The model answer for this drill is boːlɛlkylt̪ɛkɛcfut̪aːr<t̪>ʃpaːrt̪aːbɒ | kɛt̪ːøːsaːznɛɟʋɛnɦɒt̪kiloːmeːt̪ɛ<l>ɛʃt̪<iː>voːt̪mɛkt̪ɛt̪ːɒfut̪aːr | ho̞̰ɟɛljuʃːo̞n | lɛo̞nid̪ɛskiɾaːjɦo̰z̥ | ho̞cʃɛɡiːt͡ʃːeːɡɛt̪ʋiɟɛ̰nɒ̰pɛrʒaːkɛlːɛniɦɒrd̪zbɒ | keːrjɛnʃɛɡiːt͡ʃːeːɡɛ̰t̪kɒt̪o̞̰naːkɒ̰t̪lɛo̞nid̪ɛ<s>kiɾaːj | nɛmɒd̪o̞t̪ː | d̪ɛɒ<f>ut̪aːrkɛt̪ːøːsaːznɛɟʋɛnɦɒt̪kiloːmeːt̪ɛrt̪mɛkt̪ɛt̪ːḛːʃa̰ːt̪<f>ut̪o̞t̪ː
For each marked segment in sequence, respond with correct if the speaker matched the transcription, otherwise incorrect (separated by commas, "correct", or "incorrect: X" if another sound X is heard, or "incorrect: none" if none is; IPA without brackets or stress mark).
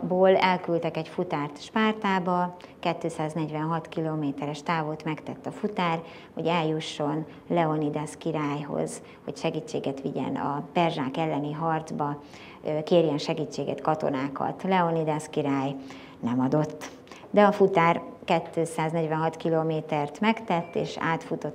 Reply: correct, incorrect: ɾ, incorrect: aː, correct, correct, correct